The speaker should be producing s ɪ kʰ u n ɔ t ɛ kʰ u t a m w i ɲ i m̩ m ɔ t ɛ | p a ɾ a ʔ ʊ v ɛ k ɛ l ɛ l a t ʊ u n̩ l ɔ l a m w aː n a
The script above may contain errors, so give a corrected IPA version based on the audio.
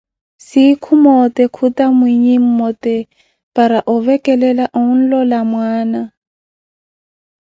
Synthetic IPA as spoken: s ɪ kʰ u m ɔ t ɛ kʰ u t a m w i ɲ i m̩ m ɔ t ɛ | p a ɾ a ʔ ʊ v ɛ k ɛ l ɛ l a ʔ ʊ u n̩ l ɔ l a m w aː n a